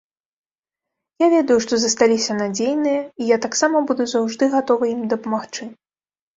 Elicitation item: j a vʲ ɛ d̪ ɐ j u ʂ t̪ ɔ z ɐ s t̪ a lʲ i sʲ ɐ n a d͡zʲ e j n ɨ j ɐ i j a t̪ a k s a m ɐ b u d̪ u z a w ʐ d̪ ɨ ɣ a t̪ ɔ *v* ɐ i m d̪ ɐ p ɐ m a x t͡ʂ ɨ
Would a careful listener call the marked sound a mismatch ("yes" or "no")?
no